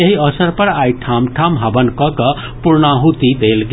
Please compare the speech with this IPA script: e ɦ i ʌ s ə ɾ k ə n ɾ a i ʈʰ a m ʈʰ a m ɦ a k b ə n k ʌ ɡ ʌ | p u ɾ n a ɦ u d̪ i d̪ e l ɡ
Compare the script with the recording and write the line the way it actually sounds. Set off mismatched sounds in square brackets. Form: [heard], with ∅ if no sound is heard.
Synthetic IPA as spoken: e ɦ i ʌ s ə ɾ [p] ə [∅] ɾ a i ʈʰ a m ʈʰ a m ɦ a [∅] b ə n k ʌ [k] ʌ | p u ɾ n a ɦ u [t̪] i d̪ e l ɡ